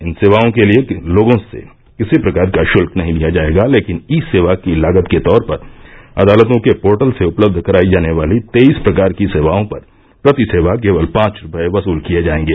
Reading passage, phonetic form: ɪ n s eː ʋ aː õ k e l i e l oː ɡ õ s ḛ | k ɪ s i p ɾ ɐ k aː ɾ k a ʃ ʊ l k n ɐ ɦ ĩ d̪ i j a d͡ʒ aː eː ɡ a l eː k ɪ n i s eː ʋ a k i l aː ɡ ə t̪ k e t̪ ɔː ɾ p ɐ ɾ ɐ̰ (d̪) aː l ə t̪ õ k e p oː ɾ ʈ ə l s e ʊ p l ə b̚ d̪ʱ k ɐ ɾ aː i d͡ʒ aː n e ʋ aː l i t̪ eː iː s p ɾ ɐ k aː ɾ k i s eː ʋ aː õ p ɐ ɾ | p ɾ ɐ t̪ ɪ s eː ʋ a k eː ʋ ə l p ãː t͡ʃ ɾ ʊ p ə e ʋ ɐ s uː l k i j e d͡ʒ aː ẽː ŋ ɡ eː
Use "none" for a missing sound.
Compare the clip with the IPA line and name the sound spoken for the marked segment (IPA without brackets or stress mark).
d̪